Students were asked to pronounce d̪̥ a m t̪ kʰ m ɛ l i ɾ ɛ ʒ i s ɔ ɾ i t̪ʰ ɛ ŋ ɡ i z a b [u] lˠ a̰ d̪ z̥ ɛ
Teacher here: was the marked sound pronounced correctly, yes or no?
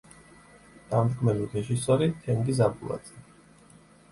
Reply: yes